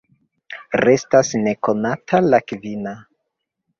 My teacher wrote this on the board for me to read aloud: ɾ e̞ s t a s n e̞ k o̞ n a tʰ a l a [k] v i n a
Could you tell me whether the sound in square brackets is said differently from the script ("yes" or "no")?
no